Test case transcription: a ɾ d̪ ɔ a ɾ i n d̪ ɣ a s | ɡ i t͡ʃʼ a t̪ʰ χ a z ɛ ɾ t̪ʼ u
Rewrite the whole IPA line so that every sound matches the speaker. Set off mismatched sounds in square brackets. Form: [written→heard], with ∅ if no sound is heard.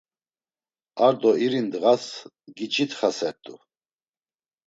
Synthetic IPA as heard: a ɾ d̪ ɔ [a→i] ɾ i n d̪ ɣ a s | ɡ i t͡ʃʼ [a→i] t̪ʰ χ a [z→s] ɛ ɾ t̪ʼ u